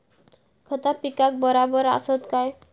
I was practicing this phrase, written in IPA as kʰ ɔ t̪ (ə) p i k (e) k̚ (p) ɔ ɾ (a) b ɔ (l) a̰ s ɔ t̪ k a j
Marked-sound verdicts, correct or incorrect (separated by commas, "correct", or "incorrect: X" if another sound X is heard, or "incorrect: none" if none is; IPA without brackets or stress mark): incorrect: a, incorrect: a, incorrect: b, correct, incorrect: ɾ